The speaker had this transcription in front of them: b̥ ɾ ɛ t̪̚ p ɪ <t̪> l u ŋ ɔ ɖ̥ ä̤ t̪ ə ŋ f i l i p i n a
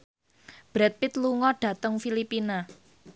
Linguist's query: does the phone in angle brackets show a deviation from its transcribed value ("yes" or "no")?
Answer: no